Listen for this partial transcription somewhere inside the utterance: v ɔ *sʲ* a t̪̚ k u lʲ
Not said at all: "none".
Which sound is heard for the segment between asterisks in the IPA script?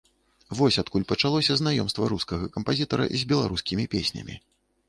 sʲ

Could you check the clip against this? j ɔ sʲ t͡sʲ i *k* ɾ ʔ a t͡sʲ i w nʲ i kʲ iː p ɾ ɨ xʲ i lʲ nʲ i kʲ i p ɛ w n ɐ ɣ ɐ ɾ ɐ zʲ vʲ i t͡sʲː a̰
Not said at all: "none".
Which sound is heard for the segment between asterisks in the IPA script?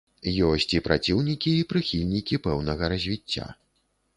p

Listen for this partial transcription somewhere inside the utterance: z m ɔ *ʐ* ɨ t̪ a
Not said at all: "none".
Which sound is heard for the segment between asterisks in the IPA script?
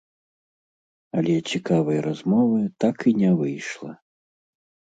v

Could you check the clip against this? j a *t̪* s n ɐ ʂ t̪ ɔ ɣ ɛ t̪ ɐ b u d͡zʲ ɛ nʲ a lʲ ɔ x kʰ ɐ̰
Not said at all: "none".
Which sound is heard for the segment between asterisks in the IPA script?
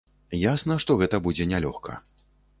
none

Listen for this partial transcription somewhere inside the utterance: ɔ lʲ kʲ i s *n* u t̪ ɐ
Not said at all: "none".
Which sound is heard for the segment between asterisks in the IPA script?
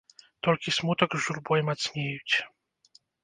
m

